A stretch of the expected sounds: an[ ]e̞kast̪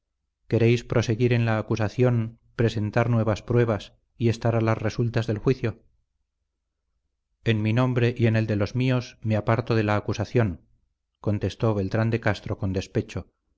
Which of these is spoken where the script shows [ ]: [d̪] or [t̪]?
d̪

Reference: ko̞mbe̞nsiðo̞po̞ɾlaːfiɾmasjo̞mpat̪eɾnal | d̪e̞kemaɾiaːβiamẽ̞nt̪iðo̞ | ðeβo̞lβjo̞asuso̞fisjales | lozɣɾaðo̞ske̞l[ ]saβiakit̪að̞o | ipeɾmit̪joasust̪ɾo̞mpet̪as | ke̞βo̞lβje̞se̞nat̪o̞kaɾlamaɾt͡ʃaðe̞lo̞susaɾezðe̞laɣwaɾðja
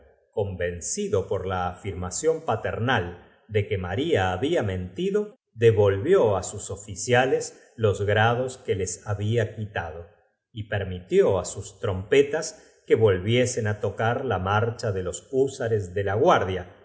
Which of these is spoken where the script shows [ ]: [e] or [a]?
e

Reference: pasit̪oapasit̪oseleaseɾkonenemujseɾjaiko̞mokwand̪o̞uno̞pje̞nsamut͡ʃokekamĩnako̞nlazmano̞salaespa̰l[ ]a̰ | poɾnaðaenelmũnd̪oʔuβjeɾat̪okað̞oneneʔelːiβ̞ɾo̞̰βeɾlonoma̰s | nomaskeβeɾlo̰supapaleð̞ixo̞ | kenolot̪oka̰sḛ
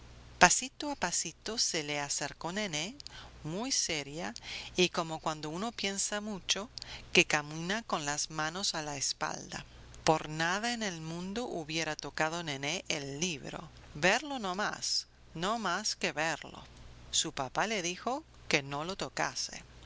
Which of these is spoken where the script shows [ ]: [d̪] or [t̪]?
d̪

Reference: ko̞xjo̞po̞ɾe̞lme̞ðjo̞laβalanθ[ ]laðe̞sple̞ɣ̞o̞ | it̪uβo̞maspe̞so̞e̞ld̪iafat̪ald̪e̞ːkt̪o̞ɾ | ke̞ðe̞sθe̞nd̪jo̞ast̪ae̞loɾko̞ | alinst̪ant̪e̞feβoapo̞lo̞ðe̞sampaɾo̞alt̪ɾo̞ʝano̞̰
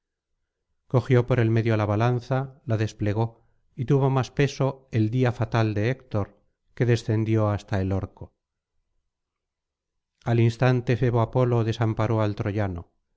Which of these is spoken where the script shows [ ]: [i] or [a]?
a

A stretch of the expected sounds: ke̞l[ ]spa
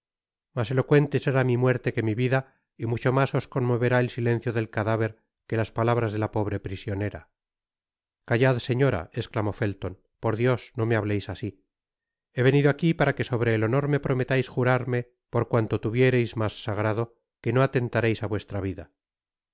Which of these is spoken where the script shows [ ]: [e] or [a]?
a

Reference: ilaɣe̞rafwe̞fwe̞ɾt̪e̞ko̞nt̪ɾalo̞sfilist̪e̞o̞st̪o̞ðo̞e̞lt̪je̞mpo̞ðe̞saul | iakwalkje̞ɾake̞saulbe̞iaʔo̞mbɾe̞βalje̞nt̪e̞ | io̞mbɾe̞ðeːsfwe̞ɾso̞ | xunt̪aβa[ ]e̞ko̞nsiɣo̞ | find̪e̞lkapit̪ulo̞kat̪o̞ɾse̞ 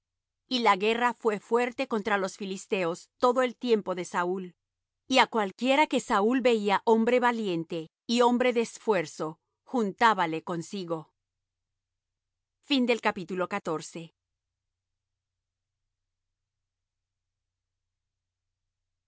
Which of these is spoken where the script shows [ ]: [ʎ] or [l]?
l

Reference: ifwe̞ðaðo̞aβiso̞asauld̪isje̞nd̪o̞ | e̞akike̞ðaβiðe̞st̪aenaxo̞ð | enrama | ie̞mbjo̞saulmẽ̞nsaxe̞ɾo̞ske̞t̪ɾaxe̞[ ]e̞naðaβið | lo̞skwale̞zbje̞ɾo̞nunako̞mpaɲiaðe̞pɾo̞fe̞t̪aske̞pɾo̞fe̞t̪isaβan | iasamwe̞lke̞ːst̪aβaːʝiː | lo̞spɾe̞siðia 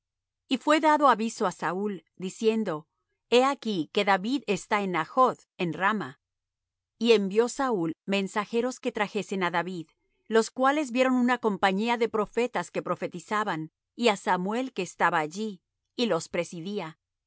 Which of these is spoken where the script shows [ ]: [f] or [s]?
s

